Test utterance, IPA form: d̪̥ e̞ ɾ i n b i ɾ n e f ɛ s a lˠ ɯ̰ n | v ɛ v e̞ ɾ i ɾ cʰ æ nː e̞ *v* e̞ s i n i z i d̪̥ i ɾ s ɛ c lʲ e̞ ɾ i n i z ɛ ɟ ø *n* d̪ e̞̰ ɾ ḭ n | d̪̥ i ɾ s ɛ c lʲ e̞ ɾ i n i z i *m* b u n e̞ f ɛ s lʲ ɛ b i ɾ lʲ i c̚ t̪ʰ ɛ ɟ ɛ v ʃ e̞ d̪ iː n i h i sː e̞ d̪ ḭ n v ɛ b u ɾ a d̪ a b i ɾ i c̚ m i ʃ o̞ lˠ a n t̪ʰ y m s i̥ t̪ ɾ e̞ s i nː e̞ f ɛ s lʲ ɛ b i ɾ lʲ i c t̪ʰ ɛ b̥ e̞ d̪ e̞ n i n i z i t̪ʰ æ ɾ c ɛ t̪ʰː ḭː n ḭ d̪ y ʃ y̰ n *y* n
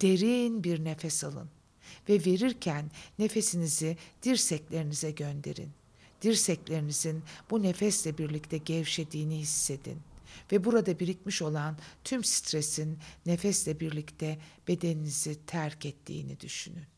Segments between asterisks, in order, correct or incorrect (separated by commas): incorrect, correct, incorrect, correct